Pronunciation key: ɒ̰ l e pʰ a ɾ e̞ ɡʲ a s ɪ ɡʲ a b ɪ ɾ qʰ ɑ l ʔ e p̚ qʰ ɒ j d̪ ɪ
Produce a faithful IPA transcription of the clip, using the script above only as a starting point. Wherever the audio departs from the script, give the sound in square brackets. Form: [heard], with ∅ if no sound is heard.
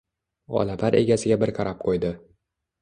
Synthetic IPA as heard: ɒ̰ l [a] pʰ a ɾ e̞ ɡʲ a s ɪ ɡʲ a b ɪ ɾ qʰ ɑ [ɾ] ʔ [a] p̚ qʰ [o] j d̪ ɪ